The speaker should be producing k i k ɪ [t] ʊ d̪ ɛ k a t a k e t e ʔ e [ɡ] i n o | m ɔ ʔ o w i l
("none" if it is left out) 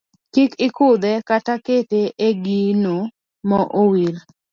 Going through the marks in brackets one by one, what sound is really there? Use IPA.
k, ɡ

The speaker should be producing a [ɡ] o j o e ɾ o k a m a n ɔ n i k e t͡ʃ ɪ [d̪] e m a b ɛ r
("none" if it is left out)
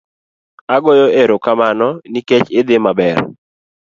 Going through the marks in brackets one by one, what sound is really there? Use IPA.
ɡ, d̪

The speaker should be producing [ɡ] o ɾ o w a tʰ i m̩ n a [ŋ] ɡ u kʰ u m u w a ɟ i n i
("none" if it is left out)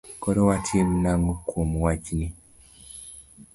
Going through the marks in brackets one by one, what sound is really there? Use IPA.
k, ŋ

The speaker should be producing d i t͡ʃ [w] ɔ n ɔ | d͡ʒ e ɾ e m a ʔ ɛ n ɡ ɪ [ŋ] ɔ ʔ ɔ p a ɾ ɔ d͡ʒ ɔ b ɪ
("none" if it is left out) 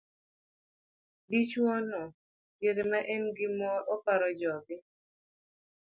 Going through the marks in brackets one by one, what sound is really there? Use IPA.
w, m

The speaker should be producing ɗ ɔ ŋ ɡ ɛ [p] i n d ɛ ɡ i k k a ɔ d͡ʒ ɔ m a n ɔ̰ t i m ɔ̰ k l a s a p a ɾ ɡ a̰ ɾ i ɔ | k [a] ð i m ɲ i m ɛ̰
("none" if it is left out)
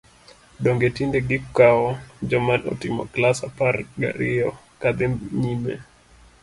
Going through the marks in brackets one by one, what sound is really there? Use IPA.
t, a

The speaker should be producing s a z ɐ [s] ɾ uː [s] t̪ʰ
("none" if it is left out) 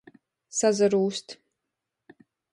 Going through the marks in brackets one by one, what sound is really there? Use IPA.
none, s

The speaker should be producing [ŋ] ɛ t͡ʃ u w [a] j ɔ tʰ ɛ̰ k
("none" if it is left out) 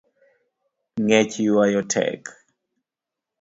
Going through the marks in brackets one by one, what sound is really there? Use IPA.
ŋ, a

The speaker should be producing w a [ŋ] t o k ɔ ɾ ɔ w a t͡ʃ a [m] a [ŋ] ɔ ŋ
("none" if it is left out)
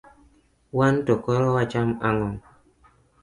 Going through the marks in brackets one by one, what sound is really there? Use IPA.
n, m, ŋ

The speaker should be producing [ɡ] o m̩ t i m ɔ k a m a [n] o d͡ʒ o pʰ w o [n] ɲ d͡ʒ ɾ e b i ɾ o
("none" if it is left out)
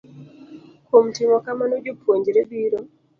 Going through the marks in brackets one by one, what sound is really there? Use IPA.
k, n, none

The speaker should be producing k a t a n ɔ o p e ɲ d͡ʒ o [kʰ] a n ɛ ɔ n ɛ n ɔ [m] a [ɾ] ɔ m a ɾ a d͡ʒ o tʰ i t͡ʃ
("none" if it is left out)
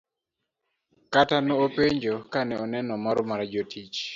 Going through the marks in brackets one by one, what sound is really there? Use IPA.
k, m, ɾ

